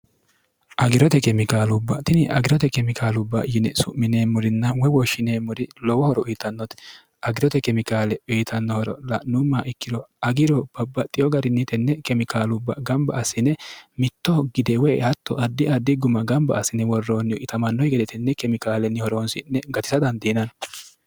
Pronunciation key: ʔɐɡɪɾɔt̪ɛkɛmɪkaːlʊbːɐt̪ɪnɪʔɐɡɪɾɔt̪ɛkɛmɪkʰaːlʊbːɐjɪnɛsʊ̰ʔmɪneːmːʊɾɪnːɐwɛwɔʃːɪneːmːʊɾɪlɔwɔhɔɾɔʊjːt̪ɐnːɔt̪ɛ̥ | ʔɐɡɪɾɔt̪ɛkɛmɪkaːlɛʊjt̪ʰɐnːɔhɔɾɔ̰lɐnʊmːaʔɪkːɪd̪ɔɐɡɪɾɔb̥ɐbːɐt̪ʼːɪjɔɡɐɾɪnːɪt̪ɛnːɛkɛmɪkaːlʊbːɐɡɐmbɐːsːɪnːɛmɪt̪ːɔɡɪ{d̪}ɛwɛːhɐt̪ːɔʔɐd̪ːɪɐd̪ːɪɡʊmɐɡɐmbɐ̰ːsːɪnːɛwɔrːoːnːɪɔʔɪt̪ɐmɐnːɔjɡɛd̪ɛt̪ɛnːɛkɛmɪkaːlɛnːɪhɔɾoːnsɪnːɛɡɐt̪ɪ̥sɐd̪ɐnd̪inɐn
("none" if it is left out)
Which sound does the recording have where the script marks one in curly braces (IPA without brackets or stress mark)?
d̪